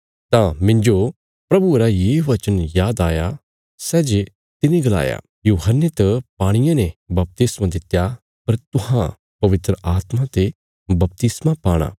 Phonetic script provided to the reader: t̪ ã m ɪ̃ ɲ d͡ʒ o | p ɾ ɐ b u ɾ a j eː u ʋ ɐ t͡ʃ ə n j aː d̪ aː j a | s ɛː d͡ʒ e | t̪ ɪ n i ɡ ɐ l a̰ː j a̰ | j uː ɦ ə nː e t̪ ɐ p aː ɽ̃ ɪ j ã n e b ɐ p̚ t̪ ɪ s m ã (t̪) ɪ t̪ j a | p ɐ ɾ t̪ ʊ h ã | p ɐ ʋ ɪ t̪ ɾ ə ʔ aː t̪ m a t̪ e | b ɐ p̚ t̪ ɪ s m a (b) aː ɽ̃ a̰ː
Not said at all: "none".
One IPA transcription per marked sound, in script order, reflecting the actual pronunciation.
d̪, p

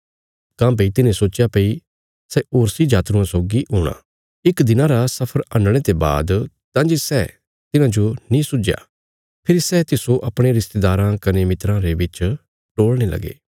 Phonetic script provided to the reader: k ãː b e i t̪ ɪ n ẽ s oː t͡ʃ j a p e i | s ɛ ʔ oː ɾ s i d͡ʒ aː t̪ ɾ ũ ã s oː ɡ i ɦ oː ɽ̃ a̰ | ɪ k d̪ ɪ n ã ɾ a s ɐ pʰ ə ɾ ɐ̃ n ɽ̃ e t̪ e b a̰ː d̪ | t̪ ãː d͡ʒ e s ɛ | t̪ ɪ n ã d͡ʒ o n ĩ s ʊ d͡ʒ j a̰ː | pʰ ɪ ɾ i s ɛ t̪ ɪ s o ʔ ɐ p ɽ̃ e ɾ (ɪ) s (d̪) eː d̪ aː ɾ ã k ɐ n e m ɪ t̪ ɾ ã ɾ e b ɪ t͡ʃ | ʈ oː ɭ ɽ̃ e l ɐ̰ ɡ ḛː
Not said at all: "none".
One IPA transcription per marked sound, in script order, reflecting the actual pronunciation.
ɪ, t̪

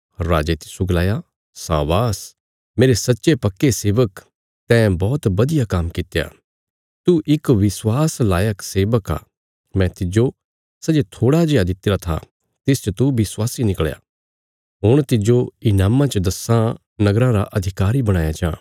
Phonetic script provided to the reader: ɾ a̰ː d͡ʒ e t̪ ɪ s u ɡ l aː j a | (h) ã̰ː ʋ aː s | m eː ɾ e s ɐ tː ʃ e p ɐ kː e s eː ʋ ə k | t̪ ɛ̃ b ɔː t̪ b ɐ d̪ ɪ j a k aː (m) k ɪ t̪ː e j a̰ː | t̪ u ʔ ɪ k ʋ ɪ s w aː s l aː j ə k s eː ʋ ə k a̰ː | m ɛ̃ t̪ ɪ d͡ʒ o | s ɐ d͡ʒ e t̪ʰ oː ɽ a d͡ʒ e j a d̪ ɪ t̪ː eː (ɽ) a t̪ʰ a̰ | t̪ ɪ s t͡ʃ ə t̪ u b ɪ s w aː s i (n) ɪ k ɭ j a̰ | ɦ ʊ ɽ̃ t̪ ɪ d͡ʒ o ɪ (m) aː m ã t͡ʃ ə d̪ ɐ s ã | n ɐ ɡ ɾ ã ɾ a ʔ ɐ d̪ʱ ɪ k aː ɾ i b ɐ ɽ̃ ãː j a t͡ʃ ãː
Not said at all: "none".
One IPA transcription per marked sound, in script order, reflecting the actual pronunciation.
s, m, ɾ, n, n

